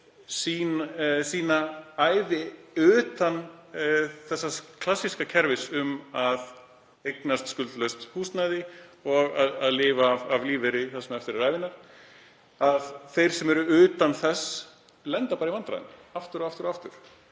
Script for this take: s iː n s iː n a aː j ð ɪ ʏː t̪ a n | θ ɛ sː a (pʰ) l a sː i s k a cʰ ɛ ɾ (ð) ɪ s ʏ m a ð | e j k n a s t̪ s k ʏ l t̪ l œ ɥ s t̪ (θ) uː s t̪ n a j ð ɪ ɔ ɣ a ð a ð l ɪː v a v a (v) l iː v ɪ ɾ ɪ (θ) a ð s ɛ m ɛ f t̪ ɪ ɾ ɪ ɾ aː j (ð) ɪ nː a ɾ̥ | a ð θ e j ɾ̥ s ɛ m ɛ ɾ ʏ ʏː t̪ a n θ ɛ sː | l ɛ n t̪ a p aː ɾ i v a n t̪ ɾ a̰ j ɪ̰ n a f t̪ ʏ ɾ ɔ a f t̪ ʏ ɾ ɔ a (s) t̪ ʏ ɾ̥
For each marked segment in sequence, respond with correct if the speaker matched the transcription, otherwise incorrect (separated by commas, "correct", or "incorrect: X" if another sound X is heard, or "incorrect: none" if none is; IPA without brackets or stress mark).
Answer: incorrect: kʰ, incorrect: v, incorrect: h, correct, correct, incorrect: v, incorrect: f